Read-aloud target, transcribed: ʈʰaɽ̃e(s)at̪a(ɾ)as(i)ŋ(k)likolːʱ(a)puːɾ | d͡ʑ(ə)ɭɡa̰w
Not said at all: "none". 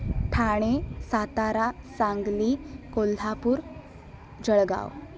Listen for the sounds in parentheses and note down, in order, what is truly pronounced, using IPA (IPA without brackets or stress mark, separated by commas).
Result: s, ɾ, a, ɡ, a, ə